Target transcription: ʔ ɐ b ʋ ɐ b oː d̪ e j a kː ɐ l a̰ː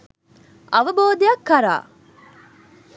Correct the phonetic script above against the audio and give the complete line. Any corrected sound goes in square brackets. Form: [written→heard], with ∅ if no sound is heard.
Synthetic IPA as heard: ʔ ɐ [b→∅] ʋ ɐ b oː d̪ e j [a→ɐ] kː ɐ [l→ɾ] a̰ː